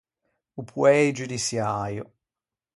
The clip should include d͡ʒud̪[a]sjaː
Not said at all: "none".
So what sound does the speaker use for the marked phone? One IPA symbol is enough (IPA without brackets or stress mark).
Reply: i